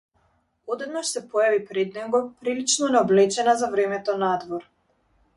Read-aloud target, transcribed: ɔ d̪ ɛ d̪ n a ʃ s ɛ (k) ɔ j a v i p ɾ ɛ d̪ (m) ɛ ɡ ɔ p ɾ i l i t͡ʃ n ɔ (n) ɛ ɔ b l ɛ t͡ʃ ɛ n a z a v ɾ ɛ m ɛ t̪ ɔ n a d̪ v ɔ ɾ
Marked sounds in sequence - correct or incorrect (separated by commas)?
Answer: incorrect, incorrect, correct